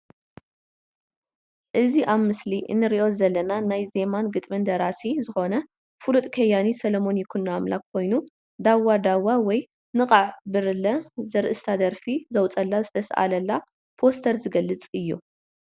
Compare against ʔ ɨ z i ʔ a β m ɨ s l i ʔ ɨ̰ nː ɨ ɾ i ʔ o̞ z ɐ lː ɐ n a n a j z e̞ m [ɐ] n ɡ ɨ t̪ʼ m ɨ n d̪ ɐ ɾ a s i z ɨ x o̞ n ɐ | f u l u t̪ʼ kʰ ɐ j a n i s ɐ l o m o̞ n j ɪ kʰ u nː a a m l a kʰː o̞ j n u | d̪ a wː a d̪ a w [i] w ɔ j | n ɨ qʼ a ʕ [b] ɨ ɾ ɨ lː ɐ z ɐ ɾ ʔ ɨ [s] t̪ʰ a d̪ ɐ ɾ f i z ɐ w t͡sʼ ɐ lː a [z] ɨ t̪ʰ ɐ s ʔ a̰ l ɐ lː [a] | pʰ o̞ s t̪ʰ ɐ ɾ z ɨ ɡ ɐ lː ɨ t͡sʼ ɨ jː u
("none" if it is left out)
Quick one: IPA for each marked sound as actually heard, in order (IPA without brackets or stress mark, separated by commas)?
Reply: a, a, b, s, z, a